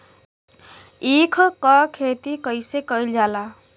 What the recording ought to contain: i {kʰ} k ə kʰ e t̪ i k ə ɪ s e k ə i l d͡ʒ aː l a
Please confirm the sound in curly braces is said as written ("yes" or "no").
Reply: yes